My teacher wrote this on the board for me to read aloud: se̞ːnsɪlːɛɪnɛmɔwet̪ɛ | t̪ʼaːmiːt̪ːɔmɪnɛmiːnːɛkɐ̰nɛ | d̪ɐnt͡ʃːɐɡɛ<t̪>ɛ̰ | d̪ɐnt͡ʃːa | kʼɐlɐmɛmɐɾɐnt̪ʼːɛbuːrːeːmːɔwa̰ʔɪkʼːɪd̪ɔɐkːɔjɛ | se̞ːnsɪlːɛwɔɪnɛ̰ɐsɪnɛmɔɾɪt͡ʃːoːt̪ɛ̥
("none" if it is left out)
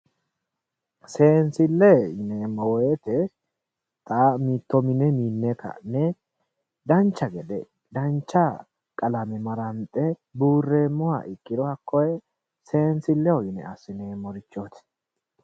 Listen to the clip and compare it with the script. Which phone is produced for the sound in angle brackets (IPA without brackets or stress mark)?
d̪